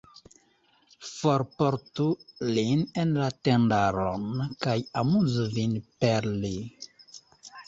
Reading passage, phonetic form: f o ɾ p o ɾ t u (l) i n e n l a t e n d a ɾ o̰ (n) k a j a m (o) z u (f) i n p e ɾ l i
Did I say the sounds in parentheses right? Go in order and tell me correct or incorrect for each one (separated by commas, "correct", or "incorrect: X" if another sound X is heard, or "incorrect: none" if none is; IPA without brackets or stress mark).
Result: correct, correct, incorrect: u, incorrect: v